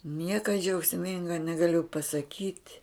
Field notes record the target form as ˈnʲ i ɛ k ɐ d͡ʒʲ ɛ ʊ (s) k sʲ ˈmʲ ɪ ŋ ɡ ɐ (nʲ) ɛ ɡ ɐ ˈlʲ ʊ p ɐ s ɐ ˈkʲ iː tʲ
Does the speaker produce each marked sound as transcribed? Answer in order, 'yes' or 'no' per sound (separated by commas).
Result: no, yes